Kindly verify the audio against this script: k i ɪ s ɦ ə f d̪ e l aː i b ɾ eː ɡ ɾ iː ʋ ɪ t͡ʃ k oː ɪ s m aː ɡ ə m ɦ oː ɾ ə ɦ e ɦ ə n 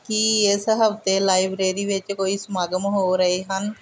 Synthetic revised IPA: k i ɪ s ɦ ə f t̪ e l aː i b ɾ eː ɾ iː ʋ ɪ t͡ʃ k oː i s m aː ɡ ə m ɦ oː ɾ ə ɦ e ɦ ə n